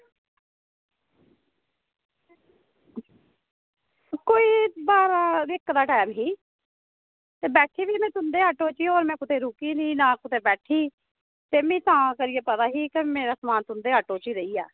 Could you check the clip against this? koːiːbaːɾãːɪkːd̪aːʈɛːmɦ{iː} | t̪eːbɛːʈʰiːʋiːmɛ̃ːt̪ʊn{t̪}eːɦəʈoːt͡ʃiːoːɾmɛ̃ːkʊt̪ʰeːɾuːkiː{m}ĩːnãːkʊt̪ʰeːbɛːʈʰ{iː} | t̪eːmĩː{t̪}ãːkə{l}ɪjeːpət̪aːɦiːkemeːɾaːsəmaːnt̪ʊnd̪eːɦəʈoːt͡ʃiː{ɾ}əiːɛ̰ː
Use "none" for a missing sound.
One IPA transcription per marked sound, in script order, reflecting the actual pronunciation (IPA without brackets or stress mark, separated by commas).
iː, d̪, n, iː, t̪, ɾ, ɾ